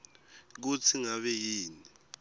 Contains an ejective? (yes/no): no